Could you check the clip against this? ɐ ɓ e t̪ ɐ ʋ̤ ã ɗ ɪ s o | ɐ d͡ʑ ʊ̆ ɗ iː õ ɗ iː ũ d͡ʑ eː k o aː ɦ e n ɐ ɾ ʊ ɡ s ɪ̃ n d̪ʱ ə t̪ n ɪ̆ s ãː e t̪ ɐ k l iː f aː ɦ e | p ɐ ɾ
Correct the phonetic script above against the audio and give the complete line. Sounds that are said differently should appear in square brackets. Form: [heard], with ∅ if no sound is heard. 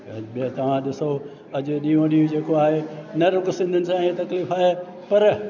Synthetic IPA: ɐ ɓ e t̪ ɐ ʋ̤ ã ɗ ɪ s o | ɐ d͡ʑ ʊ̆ ɗ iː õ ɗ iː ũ d͡ʑ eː k o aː ɦ e n ɐ ɾ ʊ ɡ s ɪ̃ n d̪ʱ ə [∅] n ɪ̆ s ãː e t̪ ɐ k l iː f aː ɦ e | p ɐ ɾ